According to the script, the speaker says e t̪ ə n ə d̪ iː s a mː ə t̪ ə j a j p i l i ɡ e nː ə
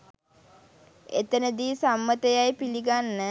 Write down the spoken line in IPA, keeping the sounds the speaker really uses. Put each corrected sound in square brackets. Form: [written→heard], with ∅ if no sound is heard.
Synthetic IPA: e t̪ ə n ə d̪ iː s a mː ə t̪ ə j a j p i l i ɡ [e→a] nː ə